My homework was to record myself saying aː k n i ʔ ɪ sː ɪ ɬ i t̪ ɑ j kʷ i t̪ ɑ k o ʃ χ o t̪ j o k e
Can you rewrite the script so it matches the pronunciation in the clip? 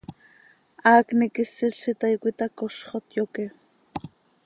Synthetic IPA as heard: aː k n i k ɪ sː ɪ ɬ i t̪ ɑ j kʷ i t̪ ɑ k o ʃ χ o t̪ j o k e

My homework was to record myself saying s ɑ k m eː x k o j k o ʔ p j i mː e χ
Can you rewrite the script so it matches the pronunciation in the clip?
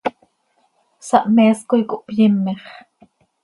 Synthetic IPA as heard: s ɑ ʔ m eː s k o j k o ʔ p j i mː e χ

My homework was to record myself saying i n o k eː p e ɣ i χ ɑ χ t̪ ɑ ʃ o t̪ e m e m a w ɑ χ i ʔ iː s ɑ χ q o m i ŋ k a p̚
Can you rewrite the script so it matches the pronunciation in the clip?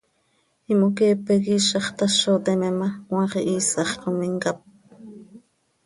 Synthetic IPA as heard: i m o k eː p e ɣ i ʃ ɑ χ t̪ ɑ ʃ o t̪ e m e m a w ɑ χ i ʔ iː s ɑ χ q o m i ŋ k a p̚

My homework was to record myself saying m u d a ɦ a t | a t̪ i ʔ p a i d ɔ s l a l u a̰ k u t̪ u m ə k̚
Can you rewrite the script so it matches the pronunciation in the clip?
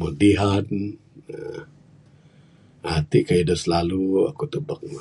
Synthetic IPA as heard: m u d i ɦ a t | a t̪ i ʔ k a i d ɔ s l a l u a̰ k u t̪ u b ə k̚

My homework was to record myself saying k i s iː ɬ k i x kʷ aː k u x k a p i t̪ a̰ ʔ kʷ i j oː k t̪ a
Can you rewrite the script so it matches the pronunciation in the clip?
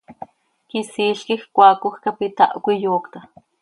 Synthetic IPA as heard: k i s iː ɬ k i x kʷ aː k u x k a p i t̪ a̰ ʔ kʷ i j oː k t̪ a

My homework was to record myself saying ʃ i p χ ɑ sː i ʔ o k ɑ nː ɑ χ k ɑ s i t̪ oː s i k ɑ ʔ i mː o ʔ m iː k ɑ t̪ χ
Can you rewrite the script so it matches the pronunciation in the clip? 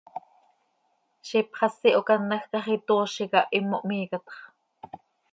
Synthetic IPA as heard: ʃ i p χ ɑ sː i ʔ o k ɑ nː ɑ x k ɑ χ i t̪ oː ʃ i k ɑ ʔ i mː o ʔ m iː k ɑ t̪ χ

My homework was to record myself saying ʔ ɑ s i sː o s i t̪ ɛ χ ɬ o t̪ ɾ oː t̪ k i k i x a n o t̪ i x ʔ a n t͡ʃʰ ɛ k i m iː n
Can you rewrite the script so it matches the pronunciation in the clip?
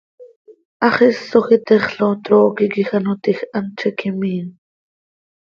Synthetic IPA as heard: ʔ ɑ χ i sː o x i t̪ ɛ χ ɬ o t̪ ɾ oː k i k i x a n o t̪ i x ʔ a n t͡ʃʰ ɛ k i m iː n

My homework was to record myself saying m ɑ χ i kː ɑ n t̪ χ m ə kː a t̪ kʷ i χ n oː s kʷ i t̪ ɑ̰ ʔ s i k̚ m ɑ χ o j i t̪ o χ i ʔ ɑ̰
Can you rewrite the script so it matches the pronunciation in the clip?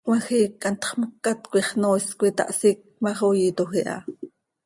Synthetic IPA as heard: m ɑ x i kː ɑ n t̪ χ m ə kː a t̪ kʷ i χ n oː s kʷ i t̪ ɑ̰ ʔ s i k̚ m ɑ χ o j i t̪ o x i ʔ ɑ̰

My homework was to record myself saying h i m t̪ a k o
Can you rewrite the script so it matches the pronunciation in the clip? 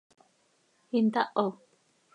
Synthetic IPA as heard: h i n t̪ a ʔ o

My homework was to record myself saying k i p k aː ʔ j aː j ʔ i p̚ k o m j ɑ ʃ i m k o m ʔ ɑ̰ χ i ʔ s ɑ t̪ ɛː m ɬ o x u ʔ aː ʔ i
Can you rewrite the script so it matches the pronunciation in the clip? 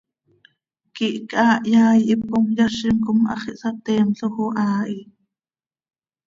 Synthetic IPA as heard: k i ʔ k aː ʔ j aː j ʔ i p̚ k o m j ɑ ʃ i m k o m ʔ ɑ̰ χ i ʔ s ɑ t̪ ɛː m ɬ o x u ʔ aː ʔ i

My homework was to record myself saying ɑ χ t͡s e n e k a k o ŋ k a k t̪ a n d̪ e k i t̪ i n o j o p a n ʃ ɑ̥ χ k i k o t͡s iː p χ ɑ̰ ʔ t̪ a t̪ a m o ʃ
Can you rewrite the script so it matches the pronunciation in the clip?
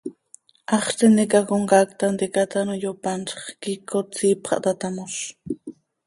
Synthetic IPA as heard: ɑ χ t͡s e n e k a k o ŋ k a k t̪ a n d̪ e k a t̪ a n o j o p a n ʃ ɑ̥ χ k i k o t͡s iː p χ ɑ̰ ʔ t̪ a t̪ a m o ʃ

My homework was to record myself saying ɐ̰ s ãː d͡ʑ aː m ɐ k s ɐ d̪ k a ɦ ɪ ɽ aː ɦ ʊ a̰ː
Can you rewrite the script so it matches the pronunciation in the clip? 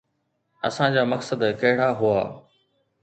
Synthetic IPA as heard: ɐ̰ s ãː d͡ʑ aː m ɐ k s ə d̪ k ɐ ɦ ɪ ɽ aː ɦ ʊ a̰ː

